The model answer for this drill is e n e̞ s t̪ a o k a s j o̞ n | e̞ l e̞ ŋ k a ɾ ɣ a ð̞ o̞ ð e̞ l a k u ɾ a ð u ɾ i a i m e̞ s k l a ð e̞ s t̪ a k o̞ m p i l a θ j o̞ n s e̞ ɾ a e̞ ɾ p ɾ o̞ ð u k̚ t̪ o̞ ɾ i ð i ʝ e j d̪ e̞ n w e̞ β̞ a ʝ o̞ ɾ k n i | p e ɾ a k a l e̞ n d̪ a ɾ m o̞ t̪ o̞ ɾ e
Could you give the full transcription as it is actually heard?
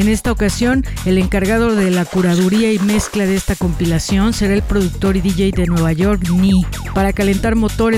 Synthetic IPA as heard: e n e̞ s t̪ a o k a s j o̞ n | e̞ l e̞ ŋ k a ɾ ɣ a ð̞ o̞ ð e̞ l a k u ɾ a ð u ɾ i a i m e̞ s k l a ð e̞ s t̪ a k o̞ m p i l a s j o̞ n s e̞ ɾ a e̞ l p ɾ o̞ ð u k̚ t̪ o̞ ɾ i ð i ʝ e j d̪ e̞ n w e̞ β̞ a ʝ o̞ ɾ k n i | p a ɾ a k a l e̞ n t̪ a ɾ m o̞ t̪ o̞ ɾ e